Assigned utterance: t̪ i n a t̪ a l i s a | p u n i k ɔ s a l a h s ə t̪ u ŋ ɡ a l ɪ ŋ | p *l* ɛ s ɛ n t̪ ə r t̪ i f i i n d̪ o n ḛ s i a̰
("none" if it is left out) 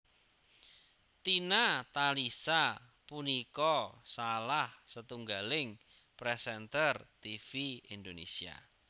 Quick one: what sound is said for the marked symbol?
ɾ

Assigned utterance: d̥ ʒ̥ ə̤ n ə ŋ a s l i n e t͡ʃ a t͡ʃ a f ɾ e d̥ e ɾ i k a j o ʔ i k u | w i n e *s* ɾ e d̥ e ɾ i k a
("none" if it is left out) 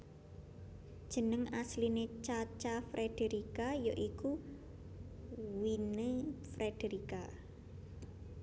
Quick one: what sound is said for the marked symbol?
f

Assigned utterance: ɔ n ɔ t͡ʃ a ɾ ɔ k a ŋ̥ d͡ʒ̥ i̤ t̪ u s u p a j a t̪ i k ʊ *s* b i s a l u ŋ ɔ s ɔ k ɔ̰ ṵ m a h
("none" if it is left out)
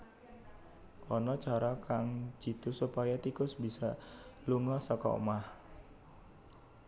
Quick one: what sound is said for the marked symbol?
s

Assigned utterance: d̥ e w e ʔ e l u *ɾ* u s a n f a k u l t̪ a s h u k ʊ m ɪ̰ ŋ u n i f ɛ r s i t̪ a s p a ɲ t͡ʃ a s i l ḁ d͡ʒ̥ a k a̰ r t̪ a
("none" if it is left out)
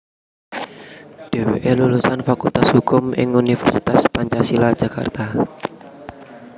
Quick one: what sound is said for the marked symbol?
l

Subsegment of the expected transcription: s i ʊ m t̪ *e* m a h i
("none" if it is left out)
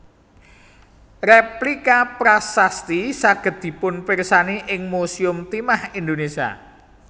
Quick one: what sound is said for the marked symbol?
i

